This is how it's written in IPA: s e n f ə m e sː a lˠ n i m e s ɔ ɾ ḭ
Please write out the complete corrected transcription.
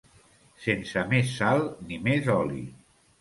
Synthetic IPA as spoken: s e n s ə m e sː a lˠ n i m e z ɔ l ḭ

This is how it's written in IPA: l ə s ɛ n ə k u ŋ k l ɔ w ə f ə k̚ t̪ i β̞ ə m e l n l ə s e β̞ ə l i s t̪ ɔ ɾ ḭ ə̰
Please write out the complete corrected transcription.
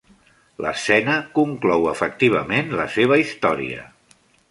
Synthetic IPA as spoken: l ə s ɛ n ə k u ŋ k l ɔ w ə f ə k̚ t̪ i β̞ ə m e n l ə s e β̞ ə i s t̪ ɔ ɾ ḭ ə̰

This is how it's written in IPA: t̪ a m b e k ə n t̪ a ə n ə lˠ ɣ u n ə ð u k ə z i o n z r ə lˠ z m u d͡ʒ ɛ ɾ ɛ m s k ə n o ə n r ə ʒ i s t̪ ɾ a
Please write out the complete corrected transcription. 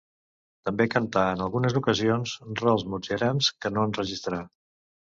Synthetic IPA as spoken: t̪ ə m b e k ə n t̪ a ə n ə lˠ ɣ u n ə z u k ə z i o n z r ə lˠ z m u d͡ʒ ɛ ɾ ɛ m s k ə n o ə n r ə ʒ i s t̪ ɾ a

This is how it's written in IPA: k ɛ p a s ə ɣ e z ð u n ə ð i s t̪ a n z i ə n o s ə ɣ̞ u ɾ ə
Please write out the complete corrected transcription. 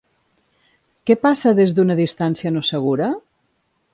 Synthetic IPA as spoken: k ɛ p a s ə ð e z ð u n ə ð i s t̪ a n s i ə n o s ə ɣ̞ u ɾ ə

